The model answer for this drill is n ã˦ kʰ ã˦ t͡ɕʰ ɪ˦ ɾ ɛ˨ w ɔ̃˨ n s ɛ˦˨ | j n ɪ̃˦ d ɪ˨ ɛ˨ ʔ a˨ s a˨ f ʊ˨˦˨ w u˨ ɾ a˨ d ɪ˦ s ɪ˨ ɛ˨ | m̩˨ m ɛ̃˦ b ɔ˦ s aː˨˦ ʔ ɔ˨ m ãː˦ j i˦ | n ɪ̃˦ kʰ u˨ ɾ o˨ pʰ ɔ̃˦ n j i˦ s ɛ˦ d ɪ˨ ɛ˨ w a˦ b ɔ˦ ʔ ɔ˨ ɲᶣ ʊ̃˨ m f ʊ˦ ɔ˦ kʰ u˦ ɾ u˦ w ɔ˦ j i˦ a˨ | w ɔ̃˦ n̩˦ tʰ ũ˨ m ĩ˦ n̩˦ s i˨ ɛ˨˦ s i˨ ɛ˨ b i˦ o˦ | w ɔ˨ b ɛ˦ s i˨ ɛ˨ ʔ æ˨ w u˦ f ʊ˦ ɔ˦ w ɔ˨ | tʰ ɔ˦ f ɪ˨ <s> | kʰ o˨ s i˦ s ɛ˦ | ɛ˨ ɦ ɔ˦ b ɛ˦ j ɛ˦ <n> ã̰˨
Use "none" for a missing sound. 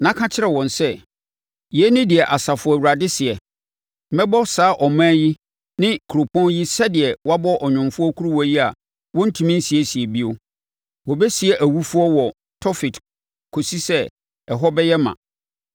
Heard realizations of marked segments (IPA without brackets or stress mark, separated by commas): t, m